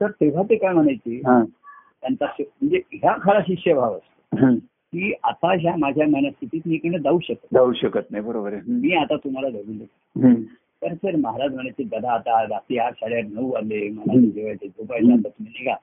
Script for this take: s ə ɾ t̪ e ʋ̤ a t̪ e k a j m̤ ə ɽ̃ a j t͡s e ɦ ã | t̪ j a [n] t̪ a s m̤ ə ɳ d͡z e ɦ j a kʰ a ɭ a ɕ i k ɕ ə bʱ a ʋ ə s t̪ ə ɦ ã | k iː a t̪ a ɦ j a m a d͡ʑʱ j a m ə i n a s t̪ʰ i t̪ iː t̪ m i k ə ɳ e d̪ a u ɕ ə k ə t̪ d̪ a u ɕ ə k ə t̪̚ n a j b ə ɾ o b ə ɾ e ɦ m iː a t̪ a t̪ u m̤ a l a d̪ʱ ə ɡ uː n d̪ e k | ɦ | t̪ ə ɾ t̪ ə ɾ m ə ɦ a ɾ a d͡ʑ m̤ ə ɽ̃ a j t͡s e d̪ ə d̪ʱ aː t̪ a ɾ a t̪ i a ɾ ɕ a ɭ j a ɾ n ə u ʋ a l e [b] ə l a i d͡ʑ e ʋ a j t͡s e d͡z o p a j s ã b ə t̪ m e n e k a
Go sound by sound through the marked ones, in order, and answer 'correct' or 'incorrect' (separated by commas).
correct, incorrect